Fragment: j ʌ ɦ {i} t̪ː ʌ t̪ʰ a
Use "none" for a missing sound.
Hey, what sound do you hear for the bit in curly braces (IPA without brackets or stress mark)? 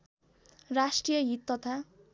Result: i